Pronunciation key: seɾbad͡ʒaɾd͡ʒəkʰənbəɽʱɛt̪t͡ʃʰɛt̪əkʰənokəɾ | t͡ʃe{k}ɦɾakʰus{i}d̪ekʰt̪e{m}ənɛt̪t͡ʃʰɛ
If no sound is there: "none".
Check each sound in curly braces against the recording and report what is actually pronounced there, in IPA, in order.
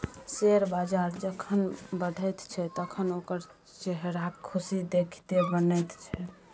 none, i, b

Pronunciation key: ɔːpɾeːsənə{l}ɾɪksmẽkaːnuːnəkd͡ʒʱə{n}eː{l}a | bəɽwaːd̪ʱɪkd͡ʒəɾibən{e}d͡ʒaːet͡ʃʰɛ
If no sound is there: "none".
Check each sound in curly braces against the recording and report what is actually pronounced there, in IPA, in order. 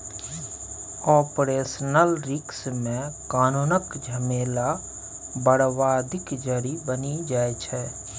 l, m, l, i

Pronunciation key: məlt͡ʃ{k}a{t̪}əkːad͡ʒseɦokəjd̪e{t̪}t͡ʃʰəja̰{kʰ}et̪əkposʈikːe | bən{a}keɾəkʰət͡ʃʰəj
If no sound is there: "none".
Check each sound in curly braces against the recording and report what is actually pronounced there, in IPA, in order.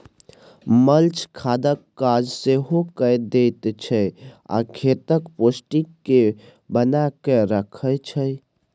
kʰ, d̪, t̪, kʰ, a

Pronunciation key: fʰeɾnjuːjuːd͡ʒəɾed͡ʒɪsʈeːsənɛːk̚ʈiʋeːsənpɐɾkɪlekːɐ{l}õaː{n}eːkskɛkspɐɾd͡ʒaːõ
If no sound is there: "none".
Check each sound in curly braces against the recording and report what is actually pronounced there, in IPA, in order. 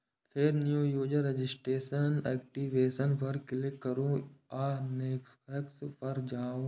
ɾ, n

